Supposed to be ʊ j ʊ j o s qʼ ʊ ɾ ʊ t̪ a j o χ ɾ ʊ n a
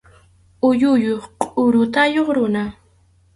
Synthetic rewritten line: ʊ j ʊ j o χ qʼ ʊ ɾ ʊ t̪ a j o χ ɾ ʊ n a